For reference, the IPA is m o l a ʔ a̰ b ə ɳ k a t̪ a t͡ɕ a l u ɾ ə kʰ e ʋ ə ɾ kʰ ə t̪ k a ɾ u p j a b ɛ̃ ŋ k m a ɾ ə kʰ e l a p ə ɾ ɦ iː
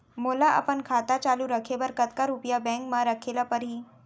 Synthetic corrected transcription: m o l a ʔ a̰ p ə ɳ kʰ a t̪ a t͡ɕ a l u ɾ ə kʰ e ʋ ə ɾ k ə t̪ k a ɾ u p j a b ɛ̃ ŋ k m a ɾ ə kʰ e l a p ə ɾ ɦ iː

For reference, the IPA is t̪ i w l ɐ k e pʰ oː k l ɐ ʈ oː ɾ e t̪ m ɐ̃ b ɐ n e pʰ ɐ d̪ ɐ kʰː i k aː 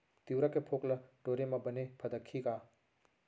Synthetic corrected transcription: t̪ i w ɾ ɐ k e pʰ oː k l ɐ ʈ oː ɾ e m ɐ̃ b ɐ n e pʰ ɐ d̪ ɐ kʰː i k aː

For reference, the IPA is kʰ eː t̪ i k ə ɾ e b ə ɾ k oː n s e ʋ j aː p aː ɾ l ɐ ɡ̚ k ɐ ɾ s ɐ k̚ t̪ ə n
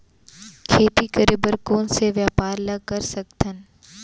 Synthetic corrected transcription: kʰ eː t̪ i k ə ɾ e b ə ɾ k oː n s e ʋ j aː p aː ɾ l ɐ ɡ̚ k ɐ ɾ s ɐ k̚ t̪ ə n

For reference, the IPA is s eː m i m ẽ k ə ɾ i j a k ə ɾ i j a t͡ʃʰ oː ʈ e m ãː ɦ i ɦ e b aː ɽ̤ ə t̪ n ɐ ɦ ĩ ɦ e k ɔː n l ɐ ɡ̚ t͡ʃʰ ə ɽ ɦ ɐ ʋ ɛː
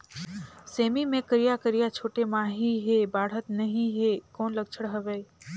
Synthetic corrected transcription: s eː m i m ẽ k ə ɾ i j a k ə ɾ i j a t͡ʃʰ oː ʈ e m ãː ɦ i ɦ e b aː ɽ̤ ə t̪ n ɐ ɦ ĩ ɦ e k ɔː n l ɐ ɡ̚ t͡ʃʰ ə ɽ ɦ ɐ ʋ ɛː

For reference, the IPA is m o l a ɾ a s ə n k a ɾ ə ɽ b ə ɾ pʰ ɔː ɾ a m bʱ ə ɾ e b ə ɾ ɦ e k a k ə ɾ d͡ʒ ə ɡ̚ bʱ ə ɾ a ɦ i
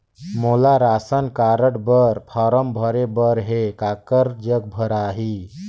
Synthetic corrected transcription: m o l a ɾ a s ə n k a ɾ ə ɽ b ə ɾ pʰ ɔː ɾ ə m bʱ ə ɾ e b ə ɾ ɦ e k a k ə ɾ d͡ʒ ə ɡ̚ bʱ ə ɾ a ɦ i

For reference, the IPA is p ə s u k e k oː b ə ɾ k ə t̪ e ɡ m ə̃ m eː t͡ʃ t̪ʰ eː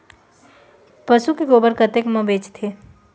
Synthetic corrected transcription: p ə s u k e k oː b ə ɾ k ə t̪ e k m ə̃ b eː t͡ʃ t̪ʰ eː

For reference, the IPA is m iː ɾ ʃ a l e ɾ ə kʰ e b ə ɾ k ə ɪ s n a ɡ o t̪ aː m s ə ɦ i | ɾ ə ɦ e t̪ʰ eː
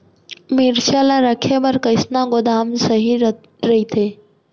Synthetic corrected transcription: m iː ɾ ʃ a l a ɾ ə kʰ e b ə ɾ k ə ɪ s n a ɡ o d̪ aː m s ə ɦ i | ɾ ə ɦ i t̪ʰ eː

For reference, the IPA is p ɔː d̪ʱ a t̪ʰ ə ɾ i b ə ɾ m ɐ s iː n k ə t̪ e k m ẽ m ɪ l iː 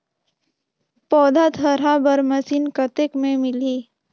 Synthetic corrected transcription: p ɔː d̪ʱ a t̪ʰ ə ɾ a b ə ɾ m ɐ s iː n k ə t̪ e k m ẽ m ɪ l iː

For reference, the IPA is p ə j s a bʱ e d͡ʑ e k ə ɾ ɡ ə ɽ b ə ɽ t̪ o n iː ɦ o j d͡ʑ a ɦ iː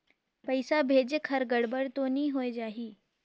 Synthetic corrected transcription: p ə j s a bʱ e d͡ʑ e kʰ ə ɾ ɡ ə ɽ b ə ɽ t̪ o n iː ɦ o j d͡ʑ a ɦ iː

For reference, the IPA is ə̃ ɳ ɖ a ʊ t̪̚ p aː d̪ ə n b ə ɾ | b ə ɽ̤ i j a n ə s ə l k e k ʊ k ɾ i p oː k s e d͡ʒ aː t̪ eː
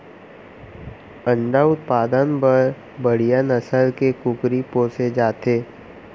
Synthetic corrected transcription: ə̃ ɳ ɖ a ʊ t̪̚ p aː d̪ ə n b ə ɾ | b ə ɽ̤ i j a n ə s ə l k e k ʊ k ɾ i p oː s e d͡ʒ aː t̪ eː

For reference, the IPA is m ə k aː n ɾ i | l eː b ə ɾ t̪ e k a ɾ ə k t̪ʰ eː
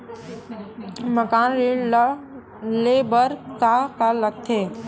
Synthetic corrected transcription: m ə k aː n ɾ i | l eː b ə ɾ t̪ a k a l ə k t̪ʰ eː

